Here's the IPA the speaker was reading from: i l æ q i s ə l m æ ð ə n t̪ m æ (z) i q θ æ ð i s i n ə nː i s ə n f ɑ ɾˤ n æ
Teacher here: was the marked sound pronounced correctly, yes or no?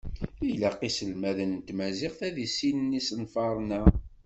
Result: yes